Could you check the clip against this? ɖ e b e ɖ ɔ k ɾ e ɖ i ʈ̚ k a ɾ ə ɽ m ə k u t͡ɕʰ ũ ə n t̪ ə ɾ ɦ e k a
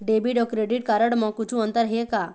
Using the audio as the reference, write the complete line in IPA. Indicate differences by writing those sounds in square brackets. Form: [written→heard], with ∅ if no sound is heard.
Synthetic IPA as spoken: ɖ e b [e→i] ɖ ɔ k ɾ e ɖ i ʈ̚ k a ɾ ə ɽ m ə k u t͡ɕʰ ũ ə n t̪ ə ɾ ɦ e k a